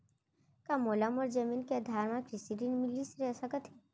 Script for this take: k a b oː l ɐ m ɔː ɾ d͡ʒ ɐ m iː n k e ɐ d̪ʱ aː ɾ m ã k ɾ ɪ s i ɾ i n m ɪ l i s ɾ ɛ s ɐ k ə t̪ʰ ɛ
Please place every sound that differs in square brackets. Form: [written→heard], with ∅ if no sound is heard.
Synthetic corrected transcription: k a [b→m] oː l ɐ m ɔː ɾ d͡ʒ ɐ m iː n k e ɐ d̪ʱ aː ɾ m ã k ɾ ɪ s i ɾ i n m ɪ l i s ɾ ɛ s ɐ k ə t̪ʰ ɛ